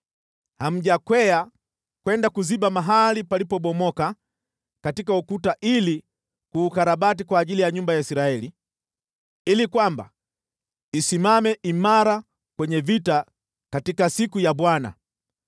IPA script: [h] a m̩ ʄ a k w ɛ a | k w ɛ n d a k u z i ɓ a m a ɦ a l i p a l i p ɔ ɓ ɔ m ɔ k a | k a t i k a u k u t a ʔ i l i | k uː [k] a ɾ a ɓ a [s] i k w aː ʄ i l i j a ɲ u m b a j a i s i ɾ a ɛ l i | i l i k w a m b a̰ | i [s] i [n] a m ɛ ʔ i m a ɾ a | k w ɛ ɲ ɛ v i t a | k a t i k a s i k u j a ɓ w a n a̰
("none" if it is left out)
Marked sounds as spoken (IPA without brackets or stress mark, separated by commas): h, k, t, s, m